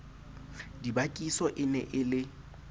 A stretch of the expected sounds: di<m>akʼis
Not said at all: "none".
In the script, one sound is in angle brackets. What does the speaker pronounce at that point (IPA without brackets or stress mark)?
b